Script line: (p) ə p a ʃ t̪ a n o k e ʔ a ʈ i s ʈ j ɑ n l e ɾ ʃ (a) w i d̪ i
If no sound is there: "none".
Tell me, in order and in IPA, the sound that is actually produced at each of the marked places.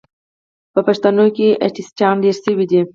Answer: p, ə

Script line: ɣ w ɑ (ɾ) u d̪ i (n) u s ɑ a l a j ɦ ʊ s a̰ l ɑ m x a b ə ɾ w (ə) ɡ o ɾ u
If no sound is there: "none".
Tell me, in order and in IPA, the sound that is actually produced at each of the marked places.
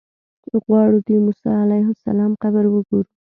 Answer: ɽ, m, ə

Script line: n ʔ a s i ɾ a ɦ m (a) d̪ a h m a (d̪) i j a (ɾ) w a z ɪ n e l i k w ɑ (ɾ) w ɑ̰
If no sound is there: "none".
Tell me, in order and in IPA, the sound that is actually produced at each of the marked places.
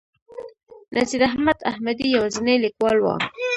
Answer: a, d̪, none, l

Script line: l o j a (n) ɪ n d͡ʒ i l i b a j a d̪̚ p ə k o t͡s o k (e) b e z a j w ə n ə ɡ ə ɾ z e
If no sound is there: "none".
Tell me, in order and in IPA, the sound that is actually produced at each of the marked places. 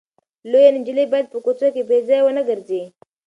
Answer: n, e

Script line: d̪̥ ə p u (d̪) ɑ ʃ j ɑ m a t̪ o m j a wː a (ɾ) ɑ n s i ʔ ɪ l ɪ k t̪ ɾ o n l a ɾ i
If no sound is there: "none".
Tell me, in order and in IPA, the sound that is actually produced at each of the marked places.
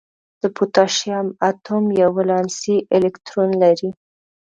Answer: t̪, l

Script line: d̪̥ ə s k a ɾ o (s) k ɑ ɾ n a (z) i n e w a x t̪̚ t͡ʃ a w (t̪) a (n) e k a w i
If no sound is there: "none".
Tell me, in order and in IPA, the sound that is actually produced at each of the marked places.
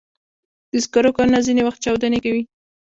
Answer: none, z, d̪, n

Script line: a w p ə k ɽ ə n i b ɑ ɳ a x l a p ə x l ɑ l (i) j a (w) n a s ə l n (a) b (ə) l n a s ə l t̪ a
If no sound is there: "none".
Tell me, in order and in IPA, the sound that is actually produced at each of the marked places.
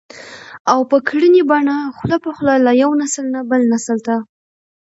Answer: a, w, a, ə

